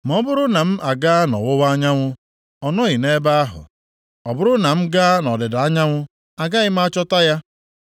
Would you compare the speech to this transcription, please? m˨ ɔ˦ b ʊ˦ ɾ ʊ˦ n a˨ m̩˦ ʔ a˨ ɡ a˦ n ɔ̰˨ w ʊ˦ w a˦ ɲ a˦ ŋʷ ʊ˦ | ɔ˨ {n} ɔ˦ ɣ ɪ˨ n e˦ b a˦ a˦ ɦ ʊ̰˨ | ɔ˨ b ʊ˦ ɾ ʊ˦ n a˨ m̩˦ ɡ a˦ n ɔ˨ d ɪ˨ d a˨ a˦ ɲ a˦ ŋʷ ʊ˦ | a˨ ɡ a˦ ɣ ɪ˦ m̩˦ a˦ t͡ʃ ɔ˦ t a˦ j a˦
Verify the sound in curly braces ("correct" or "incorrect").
correct